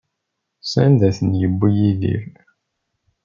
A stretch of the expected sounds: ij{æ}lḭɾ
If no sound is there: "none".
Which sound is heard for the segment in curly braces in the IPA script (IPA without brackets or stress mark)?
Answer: i